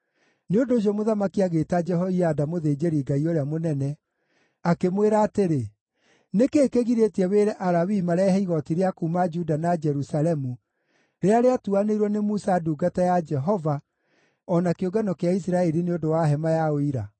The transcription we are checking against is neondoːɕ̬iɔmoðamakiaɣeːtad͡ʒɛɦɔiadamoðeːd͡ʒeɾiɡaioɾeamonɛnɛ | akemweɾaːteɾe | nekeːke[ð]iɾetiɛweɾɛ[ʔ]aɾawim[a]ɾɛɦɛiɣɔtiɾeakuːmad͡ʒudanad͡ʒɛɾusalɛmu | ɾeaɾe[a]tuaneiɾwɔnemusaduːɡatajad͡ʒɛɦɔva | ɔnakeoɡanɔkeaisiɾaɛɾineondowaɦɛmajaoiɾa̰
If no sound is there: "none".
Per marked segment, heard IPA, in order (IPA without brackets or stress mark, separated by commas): ɣ, ʔ, a, a